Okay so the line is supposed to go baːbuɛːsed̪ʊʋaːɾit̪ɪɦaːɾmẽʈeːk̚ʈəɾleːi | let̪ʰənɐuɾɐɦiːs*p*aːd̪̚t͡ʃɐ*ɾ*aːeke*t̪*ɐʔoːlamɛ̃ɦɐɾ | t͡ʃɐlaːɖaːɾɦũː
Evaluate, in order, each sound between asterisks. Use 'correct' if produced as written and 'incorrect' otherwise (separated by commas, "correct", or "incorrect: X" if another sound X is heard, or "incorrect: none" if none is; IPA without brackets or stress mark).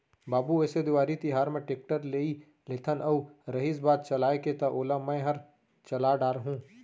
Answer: incorrect: b, incorrect: l, correct